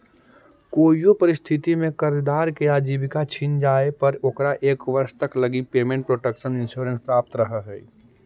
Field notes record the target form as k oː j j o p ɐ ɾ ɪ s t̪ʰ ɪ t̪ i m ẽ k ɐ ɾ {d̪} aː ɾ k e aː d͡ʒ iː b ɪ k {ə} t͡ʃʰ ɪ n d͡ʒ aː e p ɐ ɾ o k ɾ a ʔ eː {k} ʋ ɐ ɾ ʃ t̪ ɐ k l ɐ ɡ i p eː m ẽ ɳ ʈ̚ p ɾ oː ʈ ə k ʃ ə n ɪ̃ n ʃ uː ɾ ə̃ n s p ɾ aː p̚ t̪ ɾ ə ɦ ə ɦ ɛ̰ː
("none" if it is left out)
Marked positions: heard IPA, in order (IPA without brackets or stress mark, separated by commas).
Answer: d̪, a, k